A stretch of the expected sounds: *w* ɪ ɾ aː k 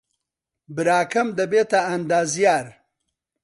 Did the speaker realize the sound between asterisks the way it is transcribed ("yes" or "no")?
no